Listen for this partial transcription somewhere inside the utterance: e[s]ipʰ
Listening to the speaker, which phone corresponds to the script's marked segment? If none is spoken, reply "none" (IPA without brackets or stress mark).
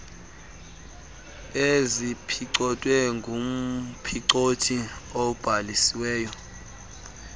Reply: z